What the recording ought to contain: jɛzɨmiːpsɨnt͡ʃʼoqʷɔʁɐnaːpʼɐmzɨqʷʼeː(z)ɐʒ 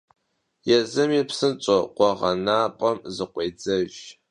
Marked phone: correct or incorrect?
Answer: incorrect